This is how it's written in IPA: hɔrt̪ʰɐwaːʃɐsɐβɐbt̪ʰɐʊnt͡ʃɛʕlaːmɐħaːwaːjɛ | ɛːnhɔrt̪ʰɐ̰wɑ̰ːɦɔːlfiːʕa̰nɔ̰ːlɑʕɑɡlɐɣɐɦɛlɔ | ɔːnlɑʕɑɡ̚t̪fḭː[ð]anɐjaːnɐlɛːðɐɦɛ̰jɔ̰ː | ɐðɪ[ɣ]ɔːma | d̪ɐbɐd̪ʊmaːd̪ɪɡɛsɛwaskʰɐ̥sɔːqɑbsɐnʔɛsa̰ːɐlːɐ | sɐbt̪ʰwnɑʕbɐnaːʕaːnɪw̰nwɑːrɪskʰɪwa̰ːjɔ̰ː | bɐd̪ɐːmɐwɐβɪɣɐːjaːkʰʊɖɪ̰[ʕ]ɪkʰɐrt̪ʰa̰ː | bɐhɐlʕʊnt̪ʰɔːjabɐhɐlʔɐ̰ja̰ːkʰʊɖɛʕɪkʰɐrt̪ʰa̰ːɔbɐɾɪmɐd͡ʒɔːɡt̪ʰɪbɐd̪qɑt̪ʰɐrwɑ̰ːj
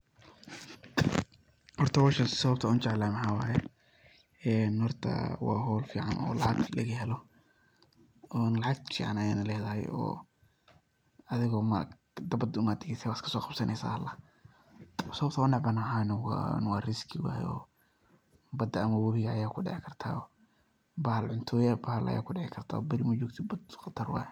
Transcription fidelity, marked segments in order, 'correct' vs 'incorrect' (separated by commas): incorrect, correct, correct